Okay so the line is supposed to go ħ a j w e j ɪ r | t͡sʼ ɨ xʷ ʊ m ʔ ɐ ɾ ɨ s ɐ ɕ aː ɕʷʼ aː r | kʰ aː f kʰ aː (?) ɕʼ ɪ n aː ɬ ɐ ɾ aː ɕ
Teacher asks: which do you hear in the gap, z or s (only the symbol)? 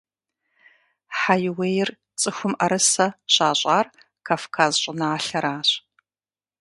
z